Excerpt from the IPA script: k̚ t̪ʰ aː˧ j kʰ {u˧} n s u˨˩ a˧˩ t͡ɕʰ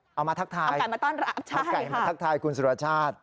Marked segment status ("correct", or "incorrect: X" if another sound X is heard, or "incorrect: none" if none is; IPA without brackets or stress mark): correct